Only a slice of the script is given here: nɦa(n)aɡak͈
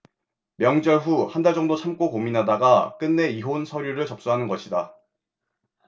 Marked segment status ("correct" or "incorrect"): incorrect